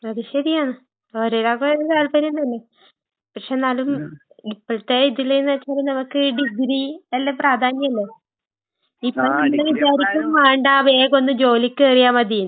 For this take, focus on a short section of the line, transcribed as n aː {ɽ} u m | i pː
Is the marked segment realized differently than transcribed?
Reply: yes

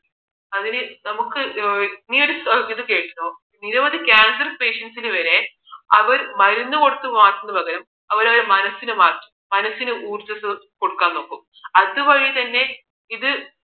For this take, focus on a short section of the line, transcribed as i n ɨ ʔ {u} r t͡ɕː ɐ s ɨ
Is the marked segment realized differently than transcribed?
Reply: yes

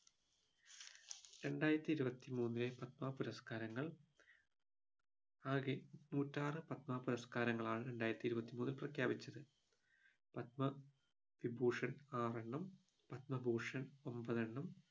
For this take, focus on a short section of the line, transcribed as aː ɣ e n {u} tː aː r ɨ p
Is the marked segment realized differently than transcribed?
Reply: yes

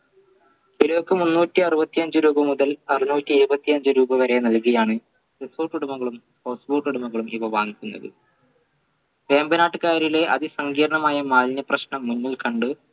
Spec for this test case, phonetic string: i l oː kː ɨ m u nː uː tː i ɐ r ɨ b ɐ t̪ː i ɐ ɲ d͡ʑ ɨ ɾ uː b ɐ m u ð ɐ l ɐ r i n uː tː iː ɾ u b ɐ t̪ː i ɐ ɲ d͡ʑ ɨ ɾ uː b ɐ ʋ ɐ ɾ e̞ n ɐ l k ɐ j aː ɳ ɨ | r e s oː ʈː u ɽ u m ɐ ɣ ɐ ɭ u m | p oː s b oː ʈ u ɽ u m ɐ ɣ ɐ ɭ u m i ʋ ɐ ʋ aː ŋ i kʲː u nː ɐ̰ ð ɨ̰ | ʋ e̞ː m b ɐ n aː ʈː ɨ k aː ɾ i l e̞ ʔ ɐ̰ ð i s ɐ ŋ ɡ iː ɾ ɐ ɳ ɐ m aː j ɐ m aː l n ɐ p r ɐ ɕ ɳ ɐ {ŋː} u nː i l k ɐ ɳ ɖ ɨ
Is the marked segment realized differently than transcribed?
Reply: yes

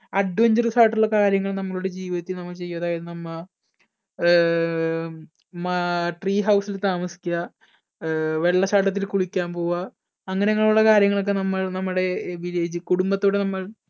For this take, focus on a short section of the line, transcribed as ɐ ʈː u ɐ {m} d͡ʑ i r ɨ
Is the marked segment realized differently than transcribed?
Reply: yes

